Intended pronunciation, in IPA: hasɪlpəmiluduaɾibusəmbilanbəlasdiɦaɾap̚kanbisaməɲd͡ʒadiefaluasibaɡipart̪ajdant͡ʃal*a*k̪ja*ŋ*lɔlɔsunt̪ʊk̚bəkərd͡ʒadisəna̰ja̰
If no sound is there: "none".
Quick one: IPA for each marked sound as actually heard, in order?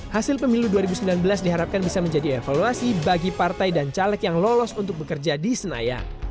ɛ, ŋ

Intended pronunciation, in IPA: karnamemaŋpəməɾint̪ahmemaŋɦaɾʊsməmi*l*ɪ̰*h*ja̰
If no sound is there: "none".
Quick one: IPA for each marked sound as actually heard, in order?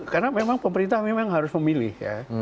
l, h

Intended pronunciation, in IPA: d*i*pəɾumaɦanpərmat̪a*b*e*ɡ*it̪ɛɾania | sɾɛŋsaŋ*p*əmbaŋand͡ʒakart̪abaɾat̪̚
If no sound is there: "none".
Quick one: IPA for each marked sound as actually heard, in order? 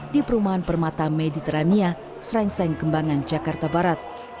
i, m, d, k

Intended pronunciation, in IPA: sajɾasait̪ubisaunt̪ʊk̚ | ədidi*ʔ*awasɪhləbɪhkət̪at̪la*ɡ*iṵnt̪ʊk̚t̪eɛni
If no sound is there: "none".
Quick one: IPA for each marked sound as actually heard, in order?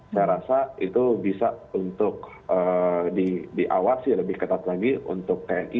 ʔ, ɡ

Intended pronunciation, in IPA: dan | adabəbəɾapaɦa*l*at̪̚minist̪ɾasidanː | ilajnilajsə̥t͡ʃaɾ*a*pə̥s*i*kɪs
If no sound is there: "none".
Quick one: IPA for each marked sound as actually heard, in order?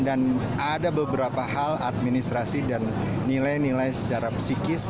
l, a, i

